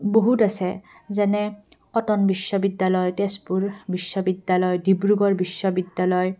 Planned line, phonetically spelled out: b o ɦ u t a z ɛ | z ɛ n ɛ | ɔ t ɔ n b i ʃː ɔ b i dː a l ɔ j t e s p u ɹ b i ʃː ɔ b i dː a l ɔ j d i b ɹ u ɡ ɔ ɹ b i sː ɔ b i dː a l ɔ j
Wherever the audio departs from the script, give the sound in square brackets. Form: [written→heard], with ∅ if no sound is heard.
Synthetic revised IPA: b o ɦ u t a [z→s] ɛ | z ɛ n ɛ | ɔ t ɔ n b i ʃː ɔ b i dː a l ɔ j t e s p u ɹ b i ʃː ɔ b i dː a l ɔ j d i b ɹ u ɡ ɔ ɹ b i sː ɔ b i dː a l ɔ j